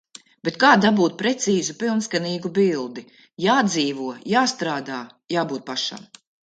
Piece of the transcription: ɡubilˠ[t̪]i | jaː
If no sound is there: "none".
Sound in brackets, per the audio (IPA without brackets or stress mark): d̪